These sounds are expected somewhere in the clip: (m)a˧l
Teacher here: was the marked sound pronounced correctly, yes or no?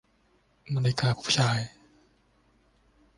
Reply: yes